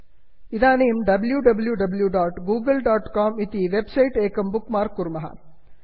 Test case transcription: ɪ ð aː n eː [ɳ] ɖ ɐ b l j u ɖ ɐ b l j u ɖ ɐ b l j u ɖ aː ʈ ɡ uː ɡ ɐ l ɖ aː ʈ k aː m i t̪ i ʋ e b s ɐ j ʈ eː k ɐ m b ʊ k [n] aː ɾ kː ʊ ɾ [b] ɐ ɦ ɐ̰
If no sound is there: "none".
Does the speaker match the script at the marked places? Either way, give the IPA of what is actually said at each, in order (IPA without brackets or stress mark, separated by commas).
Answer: m, m, m